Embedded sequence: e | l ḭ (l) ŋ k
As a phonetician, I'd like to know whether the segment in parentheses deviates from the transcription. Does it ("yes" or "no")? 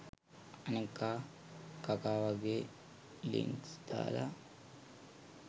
yes